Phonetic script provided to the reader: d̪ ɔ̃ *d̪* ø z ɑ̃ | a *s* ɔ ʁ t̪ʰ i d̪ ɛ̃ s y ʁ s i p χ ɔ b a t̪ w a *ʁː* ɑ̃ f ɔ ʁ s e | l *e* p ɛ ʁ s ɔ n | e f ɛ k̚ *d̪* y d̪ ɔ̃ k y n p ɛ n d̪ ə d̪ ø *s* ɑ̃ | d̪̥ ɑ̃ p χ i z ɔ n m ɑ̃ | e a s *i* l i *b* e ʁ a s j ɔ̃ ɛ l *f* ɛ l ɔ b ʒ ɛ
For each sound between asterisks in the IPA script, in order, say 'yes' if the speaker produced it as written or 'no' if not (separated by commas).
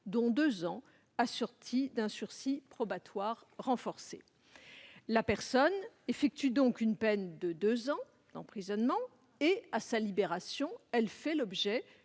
yes, yes, yes, no, no, no, no, yes, yes